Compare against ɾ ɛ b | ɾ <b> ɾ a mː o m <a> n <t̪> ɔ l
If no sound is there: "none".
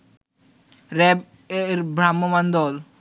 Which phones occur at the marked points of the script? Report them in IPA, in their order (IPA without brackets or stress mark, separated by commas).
b, a, d̪